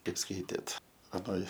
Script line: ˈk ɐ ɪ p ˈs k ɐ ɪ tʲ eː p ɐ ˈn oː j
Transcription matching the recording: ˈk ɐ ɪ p ˈs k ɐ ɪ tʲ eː t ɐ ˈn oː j